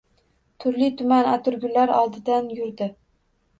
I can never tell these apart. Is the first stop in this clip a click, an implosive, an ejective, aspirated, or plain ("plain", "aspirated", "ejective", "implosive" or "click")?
aspirated